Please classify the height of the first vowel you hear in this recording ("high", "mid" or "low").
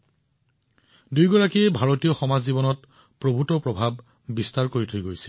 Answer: high